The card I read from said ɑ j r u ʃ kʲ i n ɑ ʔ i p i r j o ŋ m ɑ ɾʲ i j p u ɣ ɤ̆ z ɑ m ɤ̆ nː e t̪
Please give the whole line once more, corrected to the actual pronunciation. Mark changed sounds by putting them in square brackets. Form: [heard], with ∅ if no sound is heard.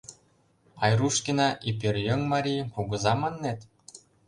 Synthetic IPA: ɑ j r u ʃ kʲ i n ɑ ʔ i p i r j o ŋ m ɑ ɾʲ i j p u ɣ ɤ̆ z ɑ m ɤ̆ nː e t̪